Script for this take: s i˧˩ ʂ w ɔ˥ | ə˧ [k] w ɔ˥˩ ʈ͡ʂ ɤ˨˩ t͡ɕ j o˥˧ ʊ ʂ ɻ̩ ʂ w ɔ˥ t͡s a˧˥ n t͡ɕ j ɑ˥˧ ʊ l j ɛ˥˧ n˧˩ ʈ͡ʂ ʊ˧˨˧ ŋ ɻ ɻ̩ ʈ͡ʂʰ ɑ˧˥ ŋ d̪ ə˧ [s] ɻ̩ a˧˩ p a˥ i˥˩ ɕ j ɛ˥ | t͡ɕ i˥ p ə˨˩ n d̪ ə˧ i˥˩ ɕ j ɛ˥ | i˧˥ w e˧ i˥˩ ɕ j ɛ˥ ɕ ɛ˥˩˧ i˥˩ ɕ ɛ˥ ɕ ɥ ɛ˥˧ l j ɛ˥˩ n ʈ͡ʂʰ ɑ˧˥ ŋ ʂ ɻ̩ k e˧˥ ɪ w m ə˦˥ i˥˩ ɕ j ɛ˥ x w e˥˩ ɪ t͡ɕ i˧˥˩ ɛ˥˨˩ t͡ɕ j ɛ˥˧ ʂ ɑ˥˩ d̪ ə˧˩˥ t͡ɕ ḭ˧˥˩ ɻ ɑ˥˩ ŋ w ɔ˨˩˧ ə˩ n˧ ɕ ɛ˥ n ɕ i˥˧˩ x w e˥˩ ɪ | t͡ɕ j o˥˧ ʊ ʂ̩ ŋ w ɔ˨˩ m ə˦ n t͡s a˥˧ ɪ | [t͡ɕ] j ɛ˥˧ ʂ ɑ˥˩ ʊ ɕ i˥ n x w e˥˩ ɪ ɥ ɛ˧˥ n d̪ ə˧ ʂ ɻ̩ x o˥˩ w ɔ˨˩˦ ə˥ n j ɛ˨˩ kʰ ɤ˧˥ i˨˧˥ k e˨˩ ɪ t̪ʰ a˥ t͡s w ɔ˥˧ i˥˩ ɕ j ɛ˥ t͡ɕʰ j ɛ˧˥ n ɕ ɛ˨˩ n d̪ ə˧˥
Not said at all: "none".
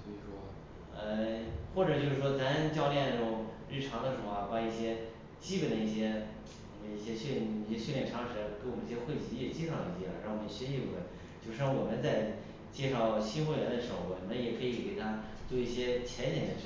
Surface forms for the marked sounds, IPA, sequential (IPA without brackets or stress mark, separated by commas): x, ʂ, t͡ɕ